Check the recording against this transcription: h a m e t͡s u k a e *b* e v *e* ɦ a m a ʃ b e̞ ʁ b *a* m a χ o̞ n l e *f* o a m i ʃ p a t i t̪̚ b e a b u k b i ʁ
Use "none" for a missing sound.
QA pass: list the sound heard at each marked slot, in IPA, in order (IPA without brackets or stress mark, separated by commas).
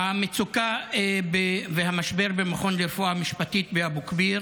b, e, e, f